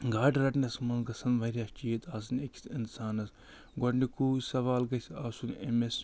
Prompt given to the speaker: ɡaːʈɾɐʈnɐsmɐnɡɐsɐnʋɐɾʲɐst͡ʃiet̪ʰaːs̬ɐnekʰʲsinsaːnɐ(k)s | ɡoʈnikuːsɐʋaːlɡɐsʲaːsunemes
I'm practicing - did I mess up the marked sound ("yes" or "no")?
yes